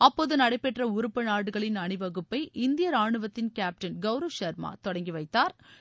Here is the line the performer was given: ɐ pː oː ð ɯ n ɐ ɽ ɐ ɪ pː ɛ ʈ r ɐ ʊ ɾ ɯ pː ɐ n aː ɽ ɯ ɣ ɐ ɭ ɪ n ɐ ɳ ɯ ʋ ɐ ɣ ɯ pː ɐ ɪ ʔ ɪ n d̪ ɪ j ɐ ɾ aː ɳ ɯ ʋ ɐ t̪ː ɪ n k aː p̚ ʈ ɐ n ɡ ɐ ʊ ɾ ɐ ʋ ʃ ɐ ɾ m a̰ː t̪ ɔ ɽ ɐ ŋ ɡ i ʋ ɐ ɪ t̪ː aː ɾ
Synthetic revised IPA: ɐ pː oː ð ɯ n ɐ ɽ ɐ ɪ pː ɛ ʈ r ɐ ʊ ɾ ɯ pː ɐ n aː ɽ ɯ ɣ ɐ ɭ ɪ n ɐ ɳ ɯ ʋ ɐ ɣ ɯ pː ɐ ɪ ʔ ɪ n d̪ ɪ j ɐ ɾ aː ɳ ɯ ʋ ɐ t̪ː ɪ n k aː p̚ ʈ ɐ n ɡ ɐ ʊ ɾ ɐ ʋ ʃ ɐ ɾ m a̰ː t̪ ɔ ɽ ɐ ŋ ɡ i ʋ ɐ ɪ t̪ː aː ɾ